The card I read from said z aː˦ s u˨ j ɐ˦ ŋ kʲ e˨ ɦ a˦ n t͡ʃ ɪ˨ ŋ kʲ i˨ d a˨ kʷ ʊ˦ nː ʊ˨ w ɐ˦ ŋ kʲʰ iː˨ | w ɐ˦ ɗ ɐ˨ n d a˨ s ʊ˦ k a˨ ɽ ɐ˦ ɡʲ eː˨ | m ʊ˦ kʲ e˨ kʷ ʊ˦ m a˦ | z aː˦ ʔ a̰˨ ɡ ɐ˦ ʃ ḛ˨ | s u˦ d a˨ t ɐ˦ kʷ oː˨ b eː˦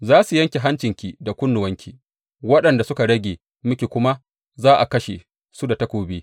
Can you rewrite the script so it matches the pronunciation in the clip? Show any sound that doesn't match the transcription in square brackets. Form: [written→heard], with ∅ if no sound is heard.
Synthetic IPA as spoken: z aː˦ s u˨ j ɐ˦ ŋ kʲ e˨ ɦ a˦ n t͡ʃ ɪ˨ ŋ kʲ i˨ d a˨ kʷ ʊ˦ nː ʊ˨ w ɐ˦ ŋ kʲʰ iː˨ | w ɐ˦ ɗ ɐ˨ n d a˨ s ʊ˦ k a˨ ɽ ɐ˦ ɡʲ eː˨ | m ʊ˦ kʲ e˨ kʷ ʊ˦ m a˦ | z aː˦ ʔ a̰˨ [ɡ→k] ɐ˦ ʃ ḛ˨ | s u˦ d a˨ t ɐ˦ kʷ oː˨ b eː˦